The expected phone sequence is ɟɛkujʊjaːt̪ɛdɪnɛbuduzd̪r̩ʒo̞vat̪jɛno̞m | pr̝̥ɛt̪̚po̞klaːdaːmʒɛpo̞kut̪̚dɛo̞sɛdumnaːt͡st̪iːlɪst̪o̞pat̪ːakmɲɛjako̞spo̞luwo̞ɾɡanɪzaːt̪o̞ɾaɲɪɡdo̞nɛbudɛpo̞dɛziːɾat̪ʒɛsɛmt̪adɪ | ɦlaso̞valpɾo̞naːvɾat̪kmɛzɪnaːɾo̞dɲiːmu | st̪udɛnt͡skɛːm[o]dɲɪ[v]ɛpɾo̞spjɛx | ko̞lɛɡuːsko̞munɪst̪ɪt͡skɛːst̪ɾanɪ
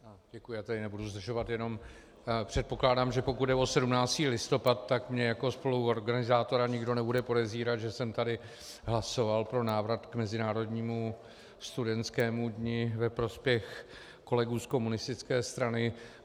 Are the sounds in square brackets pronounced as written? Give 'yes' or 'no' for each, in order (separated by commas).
no, yes